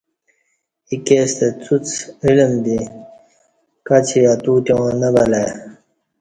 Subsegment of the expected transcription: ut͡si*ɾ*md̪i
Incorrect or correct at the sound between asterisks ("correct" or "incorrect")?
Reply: incorrect